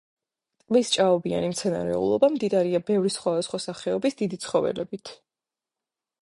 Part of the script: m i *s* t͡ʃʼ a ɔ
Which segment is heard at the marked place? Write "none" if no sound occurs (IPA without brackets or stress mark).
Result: s